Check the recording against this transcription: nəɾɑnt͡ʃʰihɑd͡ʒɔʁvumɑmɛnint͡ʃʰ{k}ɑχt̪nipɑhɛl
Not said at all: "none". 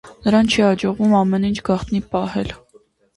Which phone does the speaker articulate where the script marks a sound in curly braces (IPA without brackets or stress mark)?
ɡ